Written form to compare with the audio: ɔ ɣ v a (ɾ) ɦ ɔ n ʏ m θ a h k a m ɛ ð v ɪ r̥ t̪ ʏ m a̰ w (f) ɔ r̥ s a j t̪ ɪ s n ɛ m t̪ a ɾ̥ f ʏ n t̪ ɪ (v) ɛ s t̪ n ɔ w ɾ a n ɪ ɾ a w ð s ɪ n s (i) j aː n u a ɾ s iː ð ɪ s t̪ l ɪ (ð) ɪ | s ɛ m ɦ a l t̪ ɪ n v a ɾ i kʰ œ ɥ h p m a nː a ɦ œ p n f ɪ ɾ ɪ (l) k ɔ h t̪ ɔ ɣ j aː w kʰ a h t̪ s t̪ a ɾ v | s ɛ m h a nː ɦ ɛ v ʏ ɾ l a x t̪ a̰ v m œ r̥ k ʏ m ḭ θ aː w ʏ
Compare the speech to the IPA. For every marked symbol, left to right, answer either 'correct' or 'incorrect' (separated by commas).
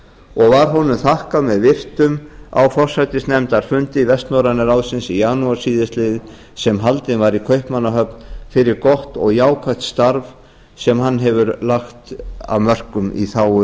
correct, correct, correct, correct, correct, incorrect